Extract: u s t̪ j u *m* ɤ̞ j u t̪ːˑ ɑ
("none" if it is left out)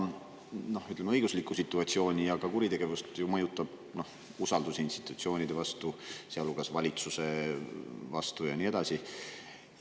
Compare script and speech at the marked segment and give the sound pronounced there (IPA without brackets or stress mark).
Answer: m